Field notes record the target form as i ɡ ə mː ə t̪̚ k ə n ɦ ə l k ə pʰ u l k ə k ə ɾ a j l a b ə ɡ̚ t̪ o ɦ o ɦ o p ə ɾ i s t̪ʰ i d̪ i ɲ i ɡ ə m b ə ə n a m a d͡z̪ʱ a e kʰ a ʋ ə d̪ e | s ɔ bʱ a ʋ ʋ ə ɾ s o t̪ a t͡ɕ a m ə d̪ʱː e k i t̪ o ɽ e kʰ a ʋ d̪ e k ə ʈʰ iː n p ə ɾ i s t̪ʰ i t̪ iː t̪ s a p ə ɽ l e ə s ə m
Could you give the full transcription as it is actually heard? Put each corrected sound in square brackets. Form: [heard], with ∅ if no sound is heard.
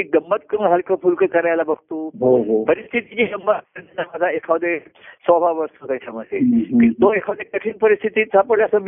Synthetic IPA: i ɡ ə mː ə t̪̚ k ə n ɦ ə l k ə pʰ u l k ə k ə ɾ a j l a b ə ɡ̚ t̪ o ɦ o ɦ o p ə ɾ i s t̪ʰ i [t̪] i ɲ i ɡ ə m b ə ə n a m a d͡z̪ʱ a e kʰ a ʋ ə d̪ e | s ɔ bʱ a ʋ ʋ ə ɾ s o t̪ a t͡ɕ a m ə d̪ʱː e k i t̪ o [∅] e kʰ a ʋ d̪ e k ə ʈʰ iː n p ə ɾ i s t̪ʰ i t̪ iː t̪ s a p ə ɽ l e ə s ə m